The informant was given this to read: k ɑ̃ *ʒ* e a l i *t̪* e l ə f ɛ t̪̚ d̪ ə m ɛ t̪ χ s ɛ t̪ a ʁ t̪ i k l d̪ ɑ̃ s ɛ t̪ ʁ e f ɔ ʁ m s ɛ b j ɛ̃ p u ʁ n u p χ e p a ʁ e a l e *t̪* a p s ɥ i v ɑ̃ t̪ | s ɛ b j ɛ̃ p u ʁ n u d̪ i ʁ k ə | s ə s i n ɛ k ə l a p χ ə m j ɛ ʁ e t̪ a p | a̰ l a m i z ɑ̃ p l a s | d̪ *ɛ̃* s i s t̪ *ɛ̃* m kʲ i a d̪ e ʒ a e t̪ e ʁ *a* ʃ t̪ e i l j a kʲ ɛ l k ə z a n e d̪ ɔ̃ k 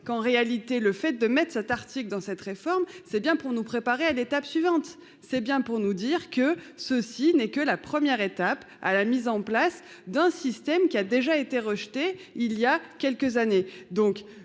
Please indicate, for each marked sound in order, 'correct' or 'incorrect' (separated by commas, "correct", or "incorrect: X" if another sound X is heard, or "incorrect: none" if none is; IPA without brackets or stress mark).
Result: incorrect: ʁ, correct, correct, correct, incorrect: ɛ, incorrect: ə